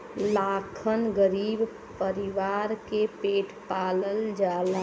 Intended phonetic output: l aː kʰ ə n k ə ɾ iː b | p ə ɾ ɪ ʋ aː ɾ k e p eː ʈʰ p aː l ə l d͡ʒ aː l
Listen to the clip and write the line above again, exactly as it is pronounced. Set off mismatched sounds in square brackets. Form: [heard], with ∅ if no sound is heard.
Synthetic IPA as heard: l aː kʰ ə n [ɡ] ə ɾ iː b | p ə ɾ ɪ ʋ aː ɾ k e p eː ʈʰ p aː l ə l d͡ʒ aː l